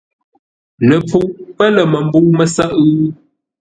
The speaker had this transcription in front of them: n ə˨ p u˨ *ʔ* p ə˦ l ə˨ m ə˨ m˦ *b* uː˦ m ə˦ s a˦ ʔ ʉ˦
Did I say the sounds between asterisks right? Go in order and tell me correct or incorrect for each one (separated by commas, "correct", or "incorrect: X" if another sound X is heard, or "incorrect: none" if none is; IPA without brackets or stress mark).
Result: correct, correct